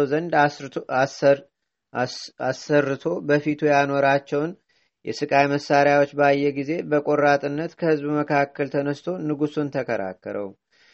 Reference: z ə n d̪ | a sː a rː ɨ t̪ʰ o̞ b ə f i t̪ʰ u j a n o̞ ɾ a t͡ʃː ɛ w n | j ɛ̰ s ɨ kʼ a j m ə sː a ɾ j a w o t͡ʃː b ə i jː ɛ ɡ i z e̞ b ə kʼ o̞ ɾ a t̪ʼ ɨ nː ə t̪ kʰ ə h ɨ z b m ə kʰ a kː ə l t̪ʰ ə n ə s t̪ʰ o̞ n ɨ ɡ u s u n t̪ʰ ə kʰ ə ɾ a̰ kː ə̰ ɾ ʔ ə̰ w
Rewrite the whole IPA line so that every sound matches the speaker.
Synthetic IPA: z ə n d̪ | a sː ə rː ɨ t̪ʰ o̞ b ə f i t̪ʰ u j a n o̞ ɾ a t͡ʃː ɛ w n | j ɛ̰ s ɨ kʼ a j m ə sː a ɾ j a w o t͡ʃː b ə a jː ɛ ɡ i z e̞ b ə kʼ o̞ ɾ a t̪ʼ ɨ nː ə t̪ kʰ ə h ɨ z b m ə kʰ a kː ə l t̪ʰ ə n ə s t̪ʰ o̞ n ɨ ɡ u s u n t̪ʰ ə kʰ ə ɾ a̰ kː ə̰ ɾ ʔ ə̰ w